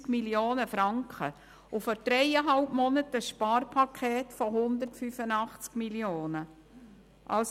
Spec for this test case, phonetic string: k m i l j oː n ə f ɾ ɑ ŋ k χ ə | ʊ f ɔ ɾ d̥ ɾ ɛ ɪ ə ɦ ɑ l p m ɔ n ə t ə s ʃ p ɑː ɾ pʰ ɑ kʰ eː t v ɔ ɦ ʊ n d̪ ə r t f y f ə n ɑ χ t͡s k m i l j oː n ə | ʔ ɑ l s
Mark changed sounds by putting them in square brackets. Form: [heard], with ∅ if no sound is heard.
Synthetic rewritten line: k m i l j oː n ə f ɾ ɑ ŋ k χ ə | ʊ f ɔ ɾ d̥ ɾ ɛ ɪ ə ɦ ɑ l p m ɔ n ə t ə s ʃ p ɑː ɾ pʰ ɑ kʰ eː t [f] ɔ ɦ ʊ n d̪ ə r t f y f ə n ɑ χ t͡s k m i l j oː n ə | ʔ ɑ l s